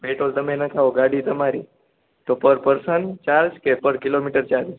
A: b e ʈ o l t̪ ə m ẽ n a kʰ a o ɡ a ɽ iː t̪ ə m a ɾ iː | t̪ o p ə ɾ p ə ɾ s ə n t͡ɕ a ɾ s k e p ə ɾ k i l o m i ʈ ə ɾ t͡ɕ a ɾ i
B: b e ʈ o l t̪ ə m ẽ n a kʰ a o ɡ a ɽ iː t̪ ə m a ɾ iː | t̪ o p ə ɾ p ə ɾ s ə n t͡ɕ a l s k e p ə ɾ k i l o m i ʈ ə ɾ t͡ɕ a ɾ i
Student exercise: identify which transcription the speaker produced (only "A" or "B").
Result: A